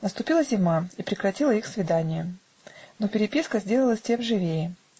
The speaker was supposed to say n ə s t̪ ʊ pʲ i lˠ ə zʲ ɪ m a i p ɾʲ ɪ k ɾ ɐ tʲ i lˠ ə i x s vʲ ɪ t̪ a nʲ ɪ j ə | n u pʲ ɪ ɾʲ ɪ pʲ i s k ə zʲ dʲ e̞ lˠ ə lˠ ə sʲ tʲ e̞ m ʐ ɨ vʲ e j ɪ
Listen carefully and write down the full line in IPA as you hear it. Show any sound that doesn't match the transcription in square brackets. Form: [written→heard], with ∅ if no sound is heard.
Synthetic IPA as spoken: n ə s t̪ ʊ pʲ i lˠ ə zʲ ɪ m a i p ɾʲ ɪ k ɾ ɐ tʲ i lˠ ə i x s vʲ ɪ [t̪→d̪] a nʲ ɪ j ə | n [u→o] pʲ ɪ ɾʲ ɪ pʲ i s k ə zʲ dʲ e̞ lˠ ə lˠ ə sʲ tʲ e̞ m ʐ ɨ vʲ e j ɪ